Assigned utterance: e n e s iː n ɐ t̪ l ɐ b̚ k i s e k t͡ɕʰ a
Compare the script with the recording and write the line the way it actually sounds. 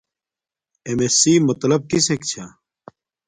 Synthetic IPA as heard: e m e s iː m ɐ t̪ l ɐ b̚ k i s e k t͡ɕʰ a